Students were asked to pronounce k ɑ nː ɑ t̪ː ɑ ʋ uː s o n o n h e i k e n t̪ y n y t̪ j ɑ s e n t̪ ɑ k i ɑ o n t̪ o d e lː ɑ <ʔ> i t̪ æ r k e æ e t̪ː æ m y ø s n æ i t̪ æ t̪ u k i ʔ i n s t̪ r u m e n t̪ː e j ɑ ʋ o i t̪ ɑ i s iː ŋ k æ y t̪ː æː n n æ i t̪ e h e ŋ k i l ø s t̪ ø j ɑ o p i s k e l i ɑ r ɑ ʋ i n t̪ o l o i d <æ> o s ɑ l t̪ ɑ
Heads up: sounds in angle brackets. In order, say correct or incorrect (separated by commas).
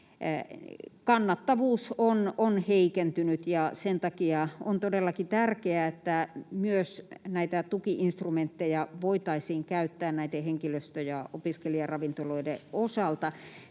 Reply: incorrect, incorrect